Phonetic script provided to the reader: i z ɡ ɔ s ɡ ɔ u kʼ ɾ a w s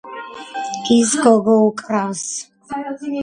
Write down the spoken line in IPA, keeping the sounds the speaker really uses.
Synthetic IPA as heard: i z ɡ ɔ ɡ ɔ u kʼ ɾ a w s